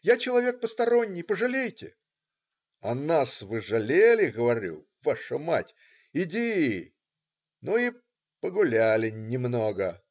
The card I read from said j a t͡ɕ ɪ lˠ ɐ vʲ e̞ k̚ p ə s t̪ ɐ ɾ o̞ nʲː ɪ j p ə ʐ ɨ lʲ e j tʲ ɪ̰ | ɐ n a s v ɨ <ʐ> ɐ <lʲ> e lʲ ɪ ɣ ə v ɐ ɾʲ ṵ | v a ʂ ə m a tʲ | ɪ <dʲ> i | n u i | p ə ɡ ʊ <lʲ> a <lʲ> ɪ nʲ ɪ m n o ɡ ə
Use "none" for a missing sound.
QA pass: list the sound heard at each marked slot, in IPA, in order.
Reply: ʐ, lʲ, dʲ, lʲ, lʲ

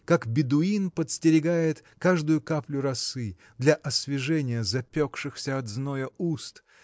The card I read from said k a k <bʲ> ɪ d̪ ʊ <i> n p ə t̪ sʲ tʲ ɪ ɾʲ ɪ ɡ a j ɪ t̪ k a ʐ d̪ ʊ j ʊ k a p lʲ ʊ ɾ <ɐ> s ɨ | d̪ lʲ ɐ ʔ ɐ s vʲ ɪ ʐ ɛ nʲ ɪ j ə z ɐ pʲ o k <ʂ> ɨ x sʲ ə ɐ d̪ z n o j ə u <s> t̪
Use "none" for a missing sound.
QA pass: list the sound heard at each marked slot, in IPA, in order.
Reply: bʲ, i, ɐ, ʂ, s

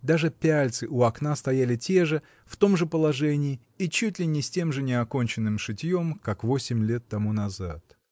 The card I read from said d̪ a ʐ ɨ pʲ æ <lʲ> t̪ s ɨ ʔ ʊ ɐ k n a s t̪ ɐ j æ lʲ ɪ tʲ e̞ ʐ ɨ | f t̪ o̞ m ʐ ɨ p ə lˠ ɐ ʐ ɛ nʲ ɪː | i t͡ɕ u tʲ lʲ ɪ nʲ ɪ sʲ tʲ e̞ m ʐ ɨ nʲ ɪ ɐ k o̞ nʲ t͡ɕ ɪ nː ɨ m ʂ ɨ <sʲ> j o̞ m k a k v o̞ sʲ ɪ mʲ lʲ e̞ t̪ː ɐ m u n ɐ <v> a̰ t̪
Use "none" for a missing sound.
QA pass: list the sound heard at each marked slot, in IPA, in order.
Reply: lʲ, tʲ, z

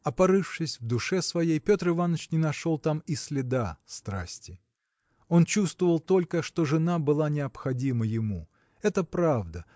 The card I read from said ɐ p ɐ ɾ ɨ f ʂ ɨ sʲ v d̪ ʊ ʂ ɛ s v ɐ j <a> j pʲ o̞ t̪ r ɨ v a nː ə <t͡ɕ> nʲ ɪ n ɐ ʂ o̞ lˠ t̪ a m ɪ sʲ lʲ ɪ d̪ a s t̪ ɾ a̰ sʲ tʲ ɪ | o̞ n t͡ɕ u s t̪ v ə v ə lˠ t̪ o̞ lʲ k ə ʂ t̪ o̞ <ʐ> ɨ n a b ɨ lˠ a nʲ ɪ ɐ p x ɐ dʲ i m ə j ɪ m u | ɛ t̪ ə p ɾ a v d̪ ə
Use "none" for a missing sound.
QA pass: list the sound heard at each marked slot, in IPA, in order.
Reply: e, t͡ɕ, ʐ

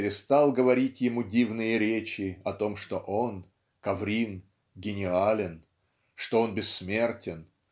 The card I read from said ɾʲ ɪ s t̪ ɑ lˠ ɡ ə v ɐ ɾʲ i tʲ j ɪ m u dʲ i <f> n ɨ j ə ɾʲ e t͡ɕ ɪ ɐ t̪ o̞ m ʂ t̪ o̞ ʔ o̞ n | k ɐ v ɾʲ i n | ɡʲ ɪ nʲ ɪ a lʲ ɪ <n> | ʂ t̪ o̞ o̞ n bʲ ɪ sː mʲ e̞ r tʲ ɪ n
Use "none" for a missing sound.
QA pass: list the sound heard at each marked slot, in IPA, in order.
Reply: v, n

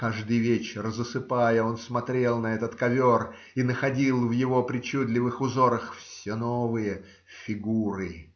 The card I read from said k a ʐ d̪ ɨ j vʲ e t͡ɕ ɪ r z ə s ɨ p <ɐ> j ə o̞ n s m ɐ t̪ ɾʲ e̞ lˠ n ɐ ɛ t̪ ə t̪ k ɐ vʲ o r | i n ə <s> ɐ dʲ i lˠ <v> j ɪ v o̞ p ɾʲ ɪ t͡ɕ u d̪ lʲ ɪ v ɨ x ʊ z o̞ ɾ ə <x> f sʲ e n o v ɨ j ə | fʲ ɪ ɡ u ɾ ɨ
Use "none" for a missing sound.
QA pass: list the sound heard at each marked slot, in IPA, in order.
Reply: a, x, v, x

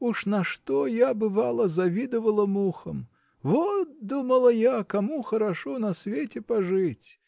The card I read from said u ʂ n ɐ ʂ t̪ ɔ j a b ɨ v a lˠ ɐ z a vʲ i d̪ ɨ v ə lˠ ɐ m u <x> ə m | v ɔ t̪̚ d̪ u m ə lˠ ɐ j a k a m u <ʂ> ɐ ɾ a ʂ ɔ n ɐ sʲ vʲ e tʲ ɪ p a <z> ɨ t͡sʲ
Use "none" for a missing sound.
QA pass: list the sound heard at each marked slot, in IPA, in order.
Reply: x, x, ʐ

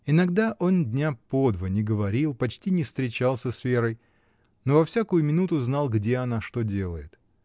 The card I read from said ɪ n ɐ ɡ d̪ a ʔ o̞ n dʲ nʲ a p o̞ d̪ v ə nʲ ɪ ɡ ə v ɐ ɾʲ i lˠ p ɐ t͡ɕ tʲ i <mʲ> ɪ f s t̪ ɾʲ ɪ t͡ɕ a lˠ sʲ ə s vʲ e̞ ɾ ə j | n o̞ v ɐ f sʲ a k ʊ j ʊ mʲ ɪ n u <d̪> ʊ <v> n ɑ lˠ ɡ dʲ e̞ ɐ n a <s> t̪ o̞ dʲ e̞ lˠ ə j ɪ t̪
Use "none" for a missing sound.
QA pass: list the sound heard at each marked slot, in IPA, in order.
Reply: nʲ, t̪, z, ʂ

